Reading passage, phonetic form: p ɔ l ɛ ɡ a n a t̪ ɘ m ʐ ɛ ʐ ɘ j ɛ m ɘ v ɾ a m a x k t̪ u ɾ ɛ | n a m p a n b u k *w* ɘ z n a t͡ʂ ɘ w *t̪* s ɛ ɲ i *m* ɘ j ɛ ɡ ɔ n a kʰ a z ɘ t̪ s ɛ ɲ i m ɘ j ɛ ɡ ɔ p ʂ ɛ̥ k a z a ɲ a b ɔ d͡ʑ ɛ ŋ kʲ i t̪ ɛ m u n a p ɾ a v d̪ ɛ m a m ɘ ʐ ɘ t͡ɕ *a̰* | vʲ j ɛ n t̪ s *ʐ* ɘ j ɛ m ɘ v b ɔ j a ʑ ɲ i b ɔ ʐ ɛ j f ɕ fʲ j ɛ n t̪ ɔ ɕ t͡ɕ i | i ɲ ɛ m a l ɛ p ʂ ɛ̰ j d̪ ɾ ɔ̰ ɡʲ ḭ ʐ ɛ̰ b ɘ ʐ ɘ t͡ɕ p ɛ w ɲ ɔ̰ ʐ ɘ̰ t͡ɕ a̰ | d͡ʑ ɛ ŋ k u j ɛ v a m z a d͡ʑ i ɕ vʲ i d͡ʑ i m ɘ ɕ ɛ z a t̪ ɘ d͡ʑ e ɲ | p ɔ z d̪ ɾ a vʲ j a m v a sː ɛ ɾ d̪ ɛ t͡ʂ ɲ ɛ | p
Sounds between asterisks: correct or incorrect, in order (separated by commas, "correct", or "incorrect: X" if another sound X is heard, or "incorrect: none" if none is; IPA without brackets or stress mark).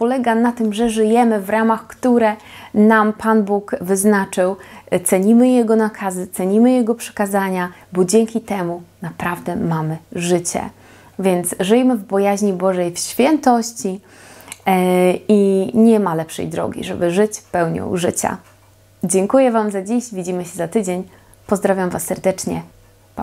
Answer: incorrect: v, correct, correct, incorrect: ɛ̰, correct